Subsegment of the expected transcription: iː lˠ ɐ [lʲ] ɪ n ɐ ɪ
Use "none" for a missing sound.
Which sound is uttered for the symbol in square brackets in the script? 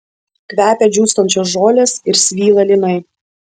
lʲ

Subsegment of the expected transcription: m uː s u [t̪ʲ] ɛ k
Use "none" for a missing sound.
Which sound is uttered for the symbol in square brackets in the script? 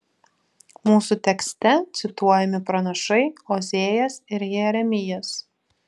t̪ʲ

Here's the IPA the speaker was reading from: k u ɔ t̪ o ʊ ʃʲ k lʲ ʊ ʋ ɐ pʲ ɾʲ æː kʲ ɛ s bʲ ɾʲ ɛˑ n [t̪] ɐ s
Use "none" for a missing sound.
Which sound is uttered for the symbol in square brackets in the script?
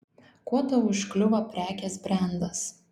d̪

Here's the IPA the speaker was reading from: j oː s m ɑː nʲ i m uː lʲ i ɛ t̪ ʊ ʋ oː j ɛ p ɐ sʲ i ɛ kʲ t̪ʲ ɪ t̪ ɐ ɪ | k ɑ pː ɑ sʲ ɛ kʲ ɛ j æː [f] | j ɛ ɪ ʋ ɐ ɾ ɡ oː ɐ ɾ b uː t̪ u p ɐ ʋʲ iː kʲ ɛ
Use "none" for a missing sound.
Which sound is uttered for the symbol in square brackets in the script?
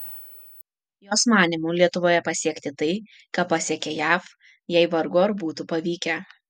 f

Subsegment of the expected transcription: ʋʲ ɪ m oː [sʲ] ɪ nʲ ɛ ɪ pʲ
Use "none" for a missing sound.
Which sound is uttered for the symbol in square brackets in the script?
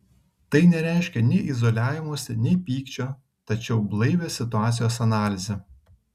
sʲ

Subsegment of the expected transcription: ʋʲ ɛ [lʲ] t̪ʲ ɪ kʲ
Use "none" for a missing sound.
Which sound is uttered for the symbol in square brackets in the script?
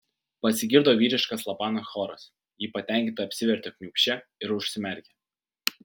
ɾʲ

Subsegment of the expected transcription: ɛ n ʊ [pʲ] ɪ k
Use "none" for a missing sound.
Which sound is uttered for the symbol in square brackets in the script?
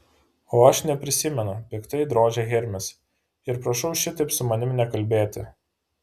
pʲ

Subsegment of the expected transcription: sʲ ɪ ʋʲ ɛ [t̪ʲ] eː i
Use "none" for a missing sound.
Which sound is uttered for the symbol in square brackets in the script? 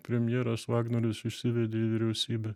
d̪ʲ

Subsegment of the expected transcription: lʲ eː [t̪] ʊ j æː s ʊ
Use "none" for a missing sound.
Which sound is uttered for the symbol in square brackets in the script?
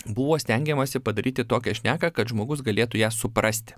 t̪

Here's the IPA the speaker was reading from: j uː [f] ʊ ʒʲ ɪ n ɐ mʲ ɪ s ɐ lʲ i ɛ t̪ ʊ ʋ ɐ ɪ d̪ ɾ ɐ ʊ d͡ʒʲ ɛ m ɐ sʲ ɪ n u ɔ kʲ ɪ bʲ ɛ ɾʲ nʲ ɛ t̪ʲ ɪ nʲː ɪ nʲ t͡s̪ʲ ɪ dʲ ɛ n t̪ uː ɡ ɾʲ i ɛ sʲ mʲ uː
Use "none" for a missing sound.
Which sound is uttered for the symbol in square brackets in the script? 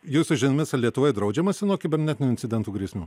s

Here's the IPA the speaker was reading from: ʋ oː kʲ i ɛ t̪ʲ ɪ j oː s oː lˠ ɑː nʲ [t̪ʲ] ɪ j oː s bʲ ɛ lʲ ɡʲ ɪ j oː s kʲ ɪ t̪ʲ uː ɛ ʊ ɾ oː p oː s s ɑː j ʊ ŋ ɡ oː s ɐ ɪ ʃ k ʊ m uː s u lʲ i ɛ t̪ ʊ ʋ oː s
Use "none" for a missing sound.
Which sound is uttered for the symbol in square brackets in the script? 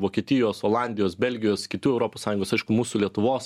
d̪ʲ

